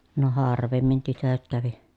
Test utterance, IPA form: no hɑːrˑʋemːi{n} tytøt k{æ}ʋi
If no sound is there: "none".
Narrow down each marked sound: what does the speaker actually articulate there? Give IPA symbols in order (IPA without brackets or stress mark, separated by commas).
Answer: n, æ